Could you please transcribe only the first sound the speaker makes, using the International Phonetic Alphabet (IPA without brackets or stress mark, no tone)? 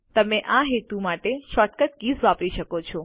t̪